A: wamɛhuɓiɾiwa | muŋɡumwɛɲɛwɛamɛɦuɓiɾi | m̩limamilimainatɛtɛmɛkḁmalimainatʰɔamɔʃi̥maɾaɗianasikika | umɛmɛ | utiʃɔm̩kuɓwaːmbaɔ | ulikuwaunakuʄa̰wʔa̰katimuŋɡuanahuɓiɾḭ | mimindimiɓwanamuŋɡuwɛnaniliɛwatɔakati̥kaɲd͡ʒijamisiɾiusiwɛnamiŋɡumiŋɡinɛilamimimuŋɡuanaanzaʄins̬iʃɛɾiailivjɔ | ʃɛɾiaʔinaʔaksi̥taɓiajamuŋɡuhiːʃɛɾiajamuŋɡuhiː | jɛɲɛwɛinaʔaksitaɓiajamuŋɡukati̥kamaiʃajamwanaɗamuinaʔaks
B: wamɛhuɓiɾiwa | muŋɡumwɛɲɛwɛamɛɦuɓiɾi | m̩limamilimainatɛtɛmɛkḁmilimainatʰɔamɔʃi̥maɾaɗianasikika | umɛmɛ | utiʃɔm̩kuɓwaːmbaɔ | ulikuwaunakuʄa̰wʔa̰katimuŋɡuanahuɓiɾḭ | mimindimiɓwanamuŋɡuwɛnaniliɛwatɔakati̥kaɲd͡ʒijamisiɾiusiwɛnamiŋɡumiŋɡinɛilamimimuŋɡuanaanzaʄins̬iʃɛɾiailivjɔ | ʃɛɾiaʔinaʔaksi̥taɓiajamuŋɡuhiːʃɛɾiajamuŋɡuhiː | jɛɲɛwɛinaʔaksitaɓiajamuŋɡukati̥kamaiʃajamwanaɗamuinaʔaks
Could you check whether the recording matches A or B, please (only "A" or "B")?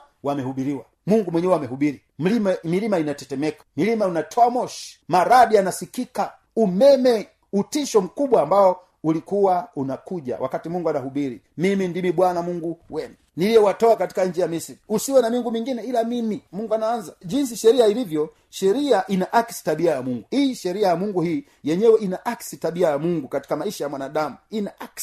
B